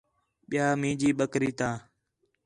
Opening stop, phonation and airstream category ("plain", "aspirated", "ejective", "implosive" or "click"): implosive